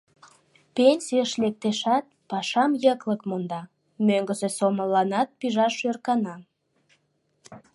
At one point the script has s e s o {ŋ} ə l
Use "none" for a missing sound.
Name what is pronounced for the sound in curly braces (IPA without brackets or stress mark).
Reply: m